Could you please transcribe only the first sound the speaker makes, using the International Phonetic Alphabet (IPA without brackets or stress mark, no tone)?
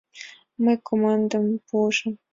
m